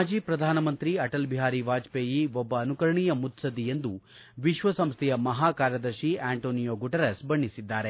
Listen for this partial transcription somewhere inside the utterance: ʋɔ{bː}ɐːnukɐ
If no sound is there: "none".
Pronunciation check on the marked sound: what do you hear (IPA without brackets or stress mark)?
bː